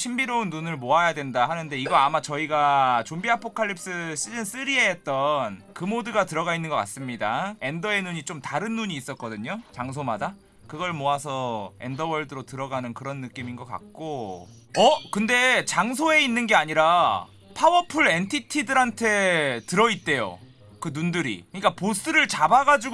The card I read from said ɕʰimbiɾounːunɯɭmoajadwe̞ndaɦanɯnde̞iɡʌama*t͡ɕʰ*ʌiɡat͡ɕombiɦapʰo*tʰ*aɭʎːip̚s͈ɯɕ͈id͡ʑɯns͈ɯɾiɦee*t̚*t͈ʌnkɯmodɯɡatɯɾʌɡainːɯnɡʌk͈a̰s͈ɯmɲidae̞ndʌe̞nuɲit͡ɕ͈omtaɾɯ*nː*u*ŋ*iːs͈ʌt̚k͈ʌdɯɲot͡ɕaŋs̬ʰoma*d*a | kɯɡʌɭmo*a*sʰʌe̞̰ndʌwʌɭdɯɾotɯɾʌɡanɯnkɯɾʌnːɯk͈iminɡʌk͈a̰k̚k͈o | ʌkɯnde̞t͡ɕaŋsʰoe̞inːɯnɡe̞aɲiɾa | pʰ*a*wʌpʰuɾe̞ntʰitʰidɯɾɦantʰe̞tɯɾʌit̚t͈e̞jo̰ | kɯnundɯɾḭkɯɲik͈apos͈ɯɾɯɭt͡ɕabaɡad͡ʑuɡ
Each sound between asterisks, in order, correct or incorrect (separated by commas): incorrect, incorrect, correct, correct, incorrect, correct, correct, correct